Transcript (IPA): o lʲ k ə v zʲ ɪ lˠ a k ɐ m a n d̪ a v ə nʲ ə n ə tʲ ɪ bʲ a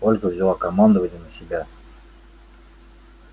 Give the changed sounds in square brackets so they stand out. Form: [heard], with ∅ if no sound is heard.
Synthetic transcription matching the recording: o lʲ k ə v zʲ ɪ lˠ a k ɐ m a n d̪ [ə] v ə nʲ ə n ə [sʲ] ɪ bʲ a